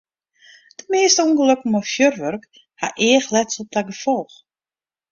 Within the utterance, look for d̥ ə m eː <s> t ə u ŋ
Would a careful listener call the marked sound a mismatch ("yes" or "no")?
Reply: no